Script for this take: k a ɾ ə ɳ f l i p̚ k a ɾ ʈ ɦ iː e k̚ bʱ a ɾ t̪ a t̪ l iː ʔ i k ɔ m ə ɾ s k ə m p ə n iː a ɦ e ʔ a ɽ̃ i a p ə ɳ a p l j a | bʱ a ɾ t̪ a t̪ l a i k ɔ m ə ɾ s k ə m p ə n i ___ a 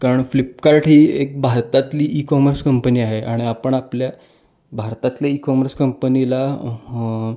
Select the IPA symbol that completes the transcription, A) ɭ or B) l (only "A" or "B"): B